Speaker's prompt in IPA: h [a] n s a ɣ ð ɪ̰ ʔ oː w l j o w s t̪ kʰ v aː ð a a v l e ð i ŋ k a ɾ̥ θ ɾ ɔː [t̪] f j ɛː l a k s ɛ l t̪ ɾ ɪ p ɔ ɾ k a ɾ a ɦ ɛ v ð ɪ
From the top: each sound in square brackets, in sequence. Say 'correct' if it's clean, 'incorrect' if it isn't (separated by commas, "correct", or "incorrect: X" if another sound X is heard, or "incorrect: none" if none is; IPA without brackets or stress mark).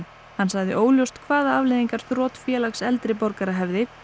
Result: correct, correct